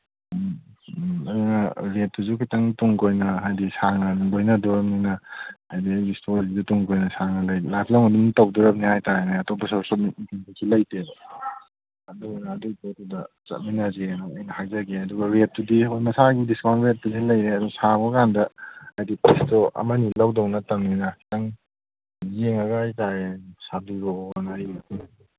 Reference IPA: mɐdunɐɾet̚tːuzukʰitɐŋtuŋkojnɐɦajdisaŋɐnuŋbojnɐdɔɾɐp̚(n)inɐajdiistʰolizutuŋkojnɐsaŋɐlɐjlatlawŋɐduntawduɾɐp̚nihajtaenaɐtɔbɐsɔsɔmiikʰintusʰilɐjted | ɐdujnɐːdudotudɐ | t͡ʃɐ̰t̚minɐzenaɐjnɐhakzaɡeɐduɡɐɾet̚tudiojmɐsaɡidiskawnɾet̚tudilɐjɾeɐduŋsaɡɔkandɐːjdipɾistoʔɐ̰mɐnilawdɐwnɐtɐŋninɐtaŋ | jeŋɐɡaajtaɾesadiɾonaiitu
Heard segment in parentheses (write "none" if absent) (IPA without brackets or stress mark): n